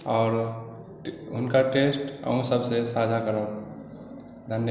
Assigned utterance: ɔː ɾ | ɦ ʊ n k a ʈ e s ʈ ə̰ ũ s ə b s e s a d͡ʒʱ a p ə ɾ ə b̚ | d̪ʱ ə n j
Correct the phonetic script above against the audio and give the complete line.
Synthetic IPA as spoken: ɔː ɾ | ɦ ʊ n k a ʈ e s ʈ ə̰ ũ s ə b s e s a d͡ʒʱ a k ə ɾ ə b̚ | d̪ʱ ə n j